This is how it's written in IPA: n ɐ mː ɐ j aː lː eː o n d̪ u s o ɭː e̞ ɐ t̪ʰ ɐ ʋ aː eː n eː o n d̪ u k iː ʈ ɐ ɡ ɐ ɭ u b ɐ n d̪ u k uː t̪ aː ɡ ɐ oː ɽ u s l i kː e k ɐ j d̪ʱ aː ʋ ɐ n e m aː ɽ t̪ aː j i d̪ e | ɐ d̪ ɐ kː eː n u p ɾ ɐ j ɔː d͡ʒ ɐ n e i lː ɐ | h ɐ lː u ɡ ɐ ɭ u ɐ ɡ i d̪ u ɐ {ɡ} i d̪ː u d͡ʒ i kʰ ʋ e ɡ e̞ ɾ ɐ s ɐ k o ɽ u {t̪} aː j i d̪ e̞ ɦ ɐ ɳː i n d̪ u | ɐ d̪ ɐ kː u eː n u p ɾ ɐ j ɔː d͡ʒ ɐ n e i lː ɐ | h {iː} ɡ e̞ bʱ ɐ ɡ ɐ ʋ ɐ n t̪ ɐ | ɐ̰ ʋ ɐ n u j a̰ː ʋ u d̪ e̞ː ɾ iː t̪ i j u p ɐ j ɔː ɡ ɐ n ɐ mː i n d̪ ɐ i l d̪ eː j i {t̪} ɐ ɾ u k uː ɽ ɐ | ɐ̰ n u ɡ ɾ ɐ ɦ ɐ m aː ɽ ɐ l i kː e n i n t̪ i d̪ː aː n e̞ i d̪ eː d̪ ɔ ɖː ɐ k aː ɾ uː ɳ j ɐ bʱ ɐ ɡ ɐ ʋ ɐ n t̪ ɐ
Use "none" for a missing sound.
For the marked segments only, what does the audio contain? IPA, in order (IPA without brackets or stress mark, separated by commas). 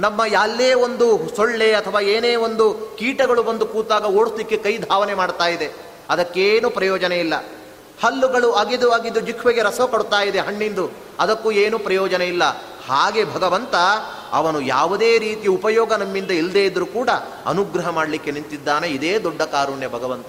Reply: ɡ, t̪, aː, d̪